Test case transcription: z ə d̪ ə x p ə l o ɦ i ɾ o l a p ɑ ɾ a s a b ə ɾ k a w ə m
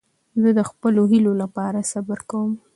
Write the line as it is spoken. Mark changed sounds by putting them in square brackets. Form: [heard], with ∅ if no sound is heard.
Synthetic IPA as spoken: z ə d̪ ə x p ə l o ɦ i [l] o l a p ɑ ɾ a s a b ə ɾ k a w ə m